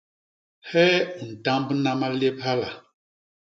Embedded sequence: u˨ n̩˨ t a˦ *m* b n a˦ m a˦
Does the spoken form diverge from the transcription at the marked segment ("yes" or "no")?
no